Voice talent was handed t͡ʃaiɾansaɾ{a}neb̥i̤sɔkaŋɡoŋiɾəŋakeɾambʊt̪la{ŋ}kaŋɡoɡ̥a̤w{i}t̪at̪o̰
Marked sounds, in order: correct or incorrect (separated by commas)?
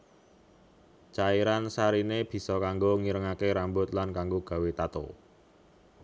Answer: incorrect, incorrect, incorrect